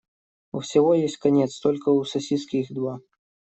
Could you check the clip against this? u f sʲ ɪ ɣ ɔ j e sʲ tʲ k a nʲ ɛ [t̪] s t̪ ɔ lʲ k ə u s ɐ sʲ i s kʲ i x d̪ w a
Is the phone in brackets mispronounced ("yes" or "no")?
no